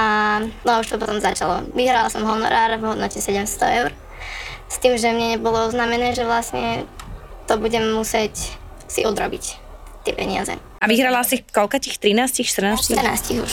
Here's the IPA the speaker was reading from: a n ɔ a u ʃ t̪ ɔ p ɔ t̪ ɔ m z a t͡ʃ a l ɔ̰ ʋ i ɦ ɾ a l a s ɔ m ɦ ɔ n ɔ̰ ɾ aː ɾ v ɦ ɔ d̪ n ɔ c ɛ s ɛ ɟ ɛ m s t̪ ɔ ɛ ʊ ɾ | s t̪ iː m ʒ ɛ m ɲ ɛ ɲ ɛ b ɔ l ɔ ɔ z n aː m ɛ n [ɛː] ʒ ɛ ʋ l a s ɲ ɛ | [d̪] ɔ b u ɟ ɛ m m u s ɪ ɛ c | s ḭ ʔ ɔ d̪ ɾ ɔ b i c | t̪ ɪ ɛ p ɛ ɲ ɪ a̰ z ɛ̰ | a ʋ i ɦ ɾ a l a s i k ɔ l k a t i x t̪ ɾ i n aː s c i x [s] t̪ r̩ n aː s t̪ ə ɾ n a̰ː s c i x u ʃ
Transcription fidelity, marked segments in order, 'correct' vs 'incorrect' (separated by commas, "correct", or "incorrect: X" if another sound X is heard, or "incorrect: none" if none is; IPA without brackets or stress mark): correct, incorrect: t̪, incorrect: ʃ